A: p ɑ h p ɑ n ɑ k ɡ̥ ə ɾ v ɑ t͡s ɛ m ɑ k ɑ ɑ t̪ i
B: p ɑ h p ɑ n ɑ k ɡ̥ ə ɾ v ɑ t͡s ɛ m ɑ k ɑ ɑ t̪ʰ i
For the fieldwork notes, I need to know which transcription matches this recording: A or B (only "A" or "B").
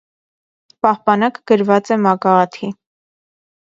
B